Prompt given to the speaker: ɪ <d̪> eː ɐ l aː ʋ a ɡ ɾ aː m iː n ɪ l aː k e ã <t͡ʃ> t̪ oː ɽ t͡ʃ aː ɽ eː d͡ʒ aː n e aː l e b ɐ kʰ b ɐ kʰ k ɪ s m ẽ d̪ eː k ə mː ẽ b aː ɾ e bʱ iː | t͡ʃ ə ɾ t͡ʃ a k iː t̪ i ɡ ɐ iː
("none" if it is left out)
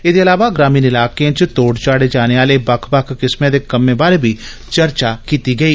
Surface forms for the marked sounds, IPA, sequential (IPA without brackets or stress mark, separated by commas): d̪, t͡ʃ